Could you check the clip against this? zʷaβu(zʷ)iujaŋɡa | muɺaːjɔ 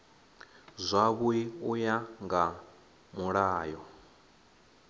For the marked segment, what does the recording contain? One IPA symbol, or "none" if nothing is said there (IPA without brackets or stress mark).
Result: none